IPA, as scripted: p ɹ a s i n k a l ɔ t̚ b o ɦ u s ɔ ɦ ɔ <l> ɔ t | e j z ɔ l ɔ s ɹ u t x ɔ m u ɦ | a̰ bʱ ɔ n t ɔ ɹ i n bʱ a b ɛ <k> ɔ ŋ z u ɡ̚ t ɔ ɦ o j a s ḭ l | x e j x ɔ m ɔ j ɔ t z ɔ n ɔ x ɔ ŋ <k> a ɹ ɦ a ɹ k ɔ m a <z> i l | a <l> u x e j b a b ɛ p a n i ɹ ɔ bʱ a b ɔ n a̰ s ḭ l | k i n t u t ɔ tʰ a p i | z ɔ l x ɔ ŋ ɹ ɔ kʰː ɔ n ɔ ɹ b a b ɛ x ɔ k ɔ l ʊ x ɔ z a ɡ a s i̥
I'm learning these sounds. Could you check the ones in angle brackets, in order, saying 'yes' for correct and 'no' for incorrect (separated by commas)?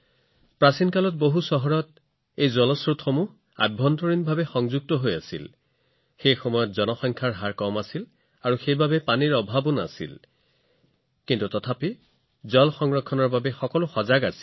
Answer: no, no, no, no, no